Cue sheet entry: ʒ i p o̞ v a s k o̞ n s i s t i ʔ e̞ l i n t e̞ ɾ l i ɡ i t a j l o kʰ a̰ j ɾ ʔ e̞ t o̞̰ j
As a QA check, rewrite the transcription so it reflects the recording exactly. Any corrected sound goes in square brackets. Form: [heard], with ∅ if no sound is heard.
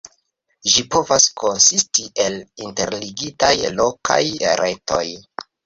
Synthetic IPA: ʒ i p o̞ v a s k o̞ n s i s t i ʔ e̞ l i n t e̞ ɾ l i ɡ i t a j l o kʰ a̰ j ɾ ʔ e̞ t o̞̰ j